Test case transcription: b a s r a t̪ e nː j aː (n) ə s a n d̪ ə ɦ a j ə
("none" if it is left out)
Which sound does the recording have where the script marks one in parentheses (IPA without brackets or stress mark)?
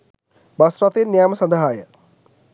m